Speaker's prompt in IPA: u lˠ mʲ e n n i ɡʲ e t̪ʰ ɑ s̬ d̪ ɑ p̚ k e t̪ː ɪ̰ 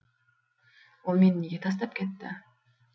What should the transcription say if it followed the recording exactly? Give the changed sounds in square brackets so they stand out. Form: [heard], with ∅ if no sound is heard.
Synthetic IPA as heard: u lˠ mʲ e n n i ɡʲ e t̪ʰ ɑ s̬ [t̪] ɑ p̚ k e t̪ː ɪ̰